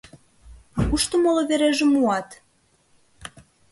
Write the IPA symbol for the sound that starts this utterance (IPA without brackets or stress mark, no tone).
u